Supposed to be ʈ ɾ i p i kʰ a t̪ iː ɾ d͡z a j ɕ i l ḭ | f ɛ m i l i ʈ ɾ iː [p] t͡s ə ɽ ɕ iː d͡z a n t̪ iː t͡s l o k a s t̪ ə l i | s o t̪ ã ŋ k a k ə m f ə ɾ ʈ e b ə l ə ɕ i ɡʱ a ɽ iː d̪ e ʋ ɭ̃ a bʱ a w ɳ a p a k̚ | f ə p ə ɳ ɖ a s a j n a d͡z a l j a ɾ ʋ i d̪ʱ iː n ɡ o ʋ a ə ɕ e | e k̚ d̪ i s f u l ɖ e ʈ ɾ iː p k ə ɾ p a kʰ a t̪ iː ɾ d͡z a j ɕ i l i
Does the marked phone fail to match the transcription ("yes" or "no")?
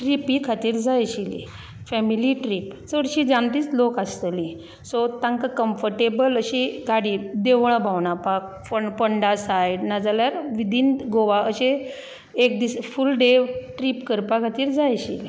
no